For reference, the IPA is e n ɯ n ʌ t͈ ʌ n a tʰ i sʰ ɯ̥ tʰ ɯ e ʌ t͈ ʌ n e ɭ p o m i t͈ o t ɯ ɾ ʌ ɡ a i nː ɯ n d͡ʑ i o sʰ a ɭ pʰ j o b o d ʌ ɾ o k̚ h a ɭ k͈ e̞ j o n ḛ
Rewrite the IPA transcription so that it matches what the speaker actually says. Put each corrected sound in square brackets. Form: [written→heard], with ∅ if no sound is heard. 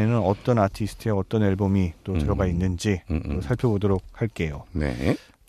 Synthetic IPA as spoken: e n ɯ n ʌ t͈ ʌ n a tʰ i sʰ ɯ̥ tʰ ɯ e ʌ t͈ ʌ n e ɭ [p→b] o m i t͈ o t ɯ ɾ ʌ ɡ a i nː ɯ n d͡ʑ i o sʰ a ɭ pʰ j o b o d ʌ ɾ o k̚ h a ɭ k͈ e̞ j o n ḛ